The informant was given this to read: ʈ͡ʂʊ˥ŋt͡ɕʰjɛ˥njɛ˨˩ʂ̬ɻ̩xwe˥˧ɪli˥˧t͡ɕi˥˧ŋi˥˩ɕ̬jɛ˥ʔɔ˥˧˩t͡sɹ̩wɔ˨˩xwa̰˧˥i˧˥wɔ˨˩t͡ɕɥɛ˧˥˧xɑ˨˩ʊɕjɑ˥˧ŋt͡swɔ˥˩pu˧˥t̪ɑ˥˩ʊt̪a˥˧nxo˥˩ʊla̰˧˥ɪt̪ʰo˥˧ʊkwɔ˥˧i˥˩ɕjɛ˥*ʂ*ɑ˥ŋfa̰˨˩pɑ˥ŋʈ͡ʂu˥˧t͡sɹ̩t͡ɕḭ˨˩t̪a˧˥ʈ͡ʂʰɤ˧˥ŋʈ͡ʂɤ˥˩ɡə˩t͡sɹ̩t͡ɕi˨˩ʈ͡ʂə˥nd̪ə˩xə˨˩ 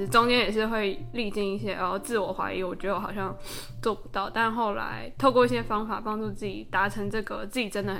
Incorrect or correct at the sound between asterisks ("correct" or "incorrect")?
incorrect